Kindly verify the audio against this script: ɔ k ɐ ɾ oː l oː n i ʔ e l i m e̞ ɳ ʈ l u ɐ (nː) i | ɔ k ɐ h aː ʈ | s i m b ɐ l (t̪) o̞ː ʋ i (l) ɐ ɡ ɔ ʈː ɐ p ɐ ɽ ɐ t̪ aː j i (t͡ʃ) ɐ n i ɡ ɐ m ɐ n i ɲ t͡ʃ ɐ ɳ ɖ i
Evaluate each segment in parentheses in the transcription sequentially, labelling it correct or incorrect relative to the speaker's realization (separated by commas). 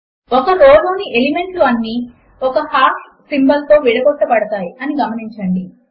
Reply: correct, correct, incorrect, incorrect